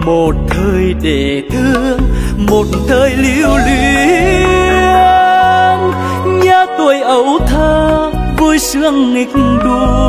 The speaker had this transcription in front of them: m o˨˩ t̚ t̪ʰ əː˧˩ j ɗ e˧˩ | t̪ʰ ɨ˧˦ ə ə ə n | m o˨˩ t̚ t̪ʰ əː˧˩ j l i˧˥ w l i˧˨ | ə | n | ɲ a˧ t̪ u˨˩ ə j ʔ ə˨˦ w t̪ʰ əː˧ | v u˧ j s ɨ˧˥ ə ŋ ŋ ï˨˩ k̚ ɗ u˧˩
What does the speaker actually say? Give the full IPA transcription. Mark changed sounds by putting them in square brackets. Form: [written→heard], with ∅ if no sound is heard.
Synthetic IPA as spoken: m o˨˩ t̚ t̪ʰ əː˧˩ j ɗ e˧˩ | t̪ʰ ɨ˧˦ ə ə ə [n→ŋ] | m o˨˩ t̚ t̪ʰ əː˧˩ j l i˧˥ w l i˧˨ | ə | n | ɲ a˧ t̪ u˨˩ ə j ʔ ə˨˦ w t̪ʰ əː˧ | v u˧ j s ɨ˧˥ ə ŋ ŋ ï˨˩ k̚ ɗ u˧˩